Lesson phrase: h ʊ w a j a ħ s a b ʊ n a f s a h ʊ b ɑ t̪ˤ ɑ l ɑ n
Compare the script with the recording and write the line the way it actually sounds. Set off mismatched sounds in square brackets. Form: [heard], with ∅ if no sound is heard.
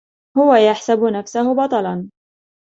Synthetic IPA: h ʊ w a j a ħ s a b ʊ n a f s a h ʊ b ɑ t̪ˤ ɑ l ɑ n